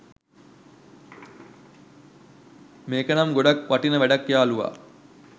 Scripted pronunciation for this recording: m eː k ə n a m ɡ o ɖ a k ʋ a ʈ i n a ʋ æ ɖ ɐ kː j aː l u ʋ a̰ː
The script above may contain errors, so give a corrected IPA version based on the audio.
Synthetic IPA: m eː k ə n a m ɡ o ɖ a k ʋ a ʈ i n ə ʋ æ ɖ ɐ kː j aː l u ʋ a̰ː